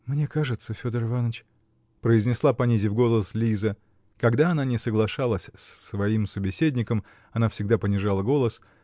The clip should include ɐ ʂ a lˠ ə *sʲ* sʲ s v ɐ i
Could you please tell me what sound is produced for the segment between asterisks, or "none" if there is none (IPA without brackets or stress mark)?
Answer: sʲ